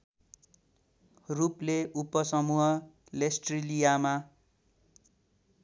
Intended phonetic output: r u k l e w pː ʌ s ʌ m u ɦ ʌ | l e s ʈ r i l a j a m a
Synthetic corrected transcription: r u p l e u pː ʌ s ʌ m u ɦ ʌ | l e s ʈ r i l i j a m a